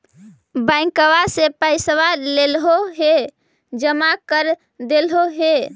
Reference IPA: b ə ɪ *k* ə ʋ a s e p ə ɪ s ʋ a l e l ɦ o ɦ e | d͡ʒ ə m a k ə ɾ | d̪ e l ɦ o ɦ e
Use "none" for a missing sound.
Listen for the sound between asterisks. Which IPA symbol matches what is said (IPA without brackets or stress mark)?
k